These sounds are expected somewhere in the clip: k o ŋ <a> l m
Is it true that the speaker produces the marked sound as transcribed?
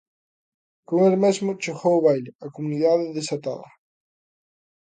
no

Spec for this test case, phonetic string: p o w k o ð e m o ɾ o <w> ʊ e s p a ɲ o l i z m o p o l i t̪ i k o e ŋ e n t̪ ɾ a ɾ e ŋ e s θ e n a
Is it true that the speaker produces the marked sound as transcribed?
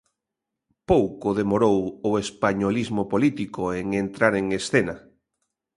yes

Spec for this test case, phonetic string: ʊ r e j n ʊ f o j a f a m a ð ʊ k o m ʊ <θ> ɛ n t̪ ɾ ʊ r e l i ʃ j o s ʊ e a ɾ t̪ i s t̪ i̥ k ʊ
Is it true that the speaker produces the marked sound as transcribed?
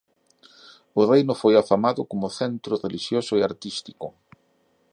yes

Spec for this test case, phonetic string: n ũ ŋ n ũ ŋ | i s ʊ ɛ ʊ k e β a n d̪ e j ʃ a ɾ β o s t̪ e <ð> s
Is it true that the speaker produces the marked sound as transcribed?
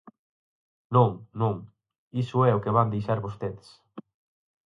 yes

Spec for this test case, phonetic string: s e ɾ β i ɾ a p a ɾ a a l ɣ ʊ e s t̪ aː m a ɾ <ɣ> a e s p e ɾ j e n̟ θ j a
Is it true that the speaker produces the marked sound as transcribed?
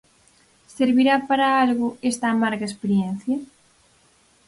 yes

